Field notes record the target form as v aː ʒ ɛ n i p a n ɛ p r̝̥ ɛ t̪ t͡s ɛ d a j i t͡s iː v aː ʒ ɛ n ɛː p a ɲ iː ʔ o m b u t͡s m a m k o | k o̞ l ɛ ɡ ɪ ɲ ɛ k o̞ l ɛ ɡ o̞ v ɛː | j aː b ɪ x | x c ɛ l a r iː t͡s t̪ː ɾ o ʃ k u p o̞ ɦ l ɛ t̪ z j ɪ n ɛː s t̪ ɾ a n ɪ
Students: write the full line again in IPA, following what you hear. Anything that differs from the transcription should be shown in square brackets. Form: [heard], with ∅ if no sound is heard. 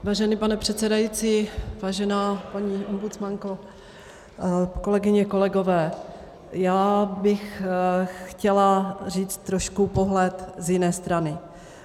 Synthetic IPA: v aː ʒ ɛ n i p a n ɛ p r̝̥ ɛ t̪ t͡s ɛ d a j i t͡s iː v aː ʒ ɛ n [aː] p a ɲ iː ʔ o m b u t͡s m a [ŋ] k o | k o̞ l ɛ ɡ ɪ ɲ ɛ k o̞ l ɛ ɡ o̞ v ɛː | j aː b ɪ x | x c ɛ l a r iː t͡s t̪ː ɾ o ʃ k u p o̞ ɦ l ɛ t̪ z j ɪ n ɛː s t̪ ɾ a n ɪ